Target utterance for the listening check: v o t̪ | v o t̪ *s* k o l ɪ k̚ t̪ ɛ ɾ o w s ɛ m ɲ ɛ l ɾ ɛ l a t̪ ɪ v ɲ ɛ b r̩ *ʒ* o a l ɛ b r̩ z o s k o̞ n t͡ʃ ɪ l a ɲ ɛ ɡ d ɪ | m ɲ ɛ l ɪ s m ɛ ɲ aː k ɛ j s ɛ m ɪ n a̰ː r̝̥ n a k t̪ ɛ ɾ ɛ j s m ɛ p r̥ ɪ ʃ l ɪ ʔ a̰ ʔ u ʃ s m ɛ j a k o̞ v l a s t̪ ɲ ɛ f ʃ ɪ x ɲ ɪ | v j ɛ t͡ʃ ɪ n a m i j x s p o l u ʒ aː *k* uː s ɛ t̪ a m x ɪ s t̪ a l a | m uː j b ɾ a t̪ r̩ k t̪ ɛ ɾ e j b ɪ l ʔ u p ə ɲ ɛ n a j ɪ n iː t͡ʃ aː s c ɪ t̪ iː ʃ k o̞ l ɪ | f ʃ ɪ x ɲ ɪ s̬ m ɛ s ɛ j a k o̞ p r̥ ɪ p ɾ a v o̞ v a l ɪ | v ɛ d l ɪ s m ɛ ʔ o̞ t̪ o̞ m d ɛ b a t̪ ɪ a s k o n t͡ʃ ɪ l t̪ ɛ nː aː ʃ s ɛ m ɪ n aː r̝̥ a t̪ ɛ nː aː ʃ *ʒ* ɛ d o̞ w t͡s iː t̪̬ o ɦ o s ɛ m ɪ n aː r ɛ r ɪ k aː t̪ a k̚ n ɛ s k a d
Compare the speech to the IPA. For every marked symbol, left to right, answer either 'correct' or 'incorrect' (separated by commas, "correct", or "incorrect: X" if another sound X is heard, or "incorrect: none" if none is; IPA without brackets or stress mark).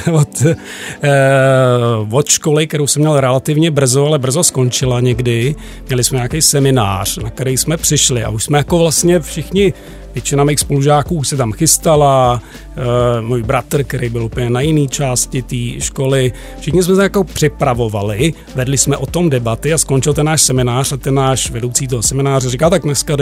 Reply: incorrect: ʃ, incorrect: z, correct, incorrect: v